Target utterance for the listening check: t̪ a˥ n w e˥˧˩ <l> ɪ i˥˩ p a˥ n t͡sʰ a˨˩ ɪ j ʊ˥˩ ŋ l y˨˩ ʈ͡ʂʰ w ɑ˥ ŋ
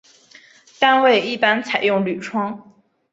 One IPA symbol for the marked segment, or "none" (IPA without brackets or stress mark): none